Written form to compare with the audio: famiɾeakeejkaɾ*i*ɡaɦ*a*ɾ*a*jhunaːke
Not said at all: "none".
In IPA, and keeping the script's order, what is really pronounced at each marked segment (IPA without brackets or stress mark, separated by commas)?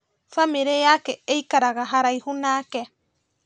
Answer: a, a, a